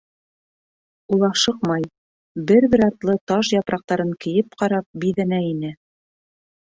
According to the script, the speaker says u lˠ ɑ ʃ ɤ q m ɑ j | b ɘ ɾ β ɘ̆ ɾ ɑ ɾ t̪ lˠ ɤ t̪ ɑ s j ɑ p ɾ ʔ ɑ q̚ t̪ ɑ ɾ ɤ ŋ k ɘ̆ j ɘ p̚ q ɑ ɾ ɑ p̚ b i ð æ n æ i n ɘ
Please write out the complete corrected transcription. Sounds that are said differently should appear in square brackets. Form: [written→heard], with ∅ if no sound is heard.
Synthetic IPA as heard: u lˠ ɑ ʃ ɤ q m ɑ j | b ɘ ɾ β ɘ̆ ɾ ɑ ɾ t̪ lˠ ɤ t̪ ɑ [s→ʃ] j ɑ p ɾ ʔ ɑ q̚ t̪ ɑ ɾ ɤ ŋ k ɘ̆ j ɘ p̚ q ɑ ɾ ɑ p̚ b i ð æ n æ i n ɘ